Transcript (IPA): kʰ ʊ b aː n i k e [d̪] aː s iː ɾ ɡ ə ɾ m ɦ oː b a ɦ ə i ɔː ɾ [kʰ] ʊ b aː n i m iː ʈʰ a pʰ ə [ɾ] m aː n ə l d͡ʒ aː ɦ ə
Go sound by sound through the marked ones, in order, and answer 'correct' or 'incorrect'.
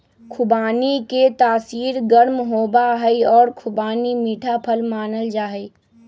incorrect, correct, incorrect

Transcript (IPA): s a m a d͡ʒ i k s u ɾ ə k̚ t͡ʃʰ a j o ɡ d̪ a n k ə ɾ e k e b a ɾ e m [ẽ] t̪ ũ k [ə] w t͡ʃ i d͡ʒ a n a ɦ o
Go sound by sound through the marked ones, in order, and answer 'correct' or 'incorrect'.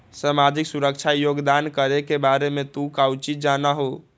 incorrect, incorrect

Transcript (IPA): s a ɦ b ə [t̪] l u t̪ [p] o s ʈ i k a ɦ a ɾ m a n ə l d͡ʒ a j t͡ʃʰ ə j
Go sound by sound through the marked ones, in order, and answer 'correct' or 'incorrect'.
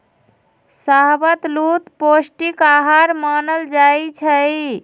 correct, correct

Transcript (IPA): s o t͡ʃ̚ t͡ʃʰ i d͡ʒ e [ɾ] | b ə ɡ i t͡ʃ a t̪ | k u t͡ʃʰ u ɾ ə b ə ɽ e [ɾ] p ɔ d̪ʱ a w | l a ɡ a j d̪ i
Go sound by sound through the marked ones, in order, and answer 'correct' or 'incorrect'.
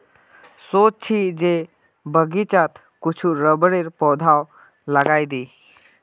incorrect, correct

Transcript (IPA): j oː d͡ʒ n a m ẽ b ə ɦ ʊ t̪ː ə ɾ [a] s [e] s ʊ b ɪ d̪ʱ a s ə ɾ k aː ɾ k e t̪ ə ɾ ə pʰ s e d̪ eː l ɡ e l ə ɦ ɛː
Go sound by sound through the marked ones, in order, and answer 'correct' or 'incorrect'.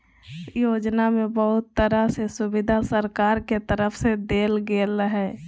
correct, correct

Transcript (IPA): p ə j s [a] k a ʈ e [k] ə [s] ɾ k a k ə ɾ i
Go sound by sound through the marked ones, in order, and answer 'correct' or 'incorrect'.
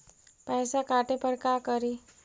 correct, incorrect, incorrect

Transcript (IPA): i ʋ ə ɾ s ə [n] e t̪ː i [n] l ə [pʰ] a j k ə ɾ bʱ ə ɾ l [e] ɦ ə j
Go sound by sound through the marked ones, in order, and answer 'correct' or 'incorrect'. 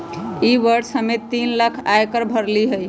incorrect, correct, incorrect, incorrect

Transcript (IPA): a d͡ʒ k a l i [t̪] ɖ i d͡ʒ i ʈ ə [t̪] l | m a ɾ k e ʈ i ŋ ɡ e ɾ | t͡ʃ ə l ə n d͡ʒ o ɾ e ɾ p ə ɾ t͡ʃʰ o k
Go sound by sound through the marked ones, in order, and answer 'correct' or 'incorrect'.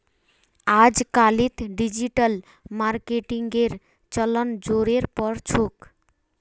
correct, incorrect

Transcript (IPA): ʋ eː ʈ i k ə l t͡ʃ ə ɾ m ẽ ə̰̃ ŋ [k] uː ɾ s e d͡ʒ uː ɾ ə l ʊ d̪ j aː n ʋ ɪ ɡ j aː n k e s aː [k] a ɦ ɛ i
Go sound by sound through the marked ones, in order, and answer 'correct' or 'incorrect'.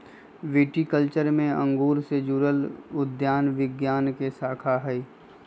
incorrect, incorrect

